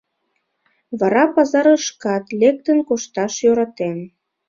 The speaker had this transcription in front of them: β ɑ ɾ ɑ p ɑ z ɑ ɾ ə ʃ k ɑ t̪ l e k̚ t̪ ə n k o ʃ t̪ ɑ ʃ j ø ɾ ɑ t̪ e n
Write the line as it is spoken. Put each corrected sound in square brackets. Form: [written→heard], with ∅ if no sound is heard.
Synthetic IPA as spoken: β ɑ ɾ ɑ p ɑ z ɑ ɾ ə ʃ k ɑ t̪ l e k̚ t̪ ə n k o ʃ t̪ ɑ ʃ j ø ɾ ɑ t̪ e n